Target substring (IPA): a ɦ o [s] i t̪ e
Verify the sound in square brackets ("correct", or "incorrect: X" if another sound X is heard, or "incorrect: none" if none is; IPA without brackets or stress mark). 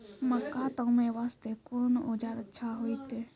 incorrect: none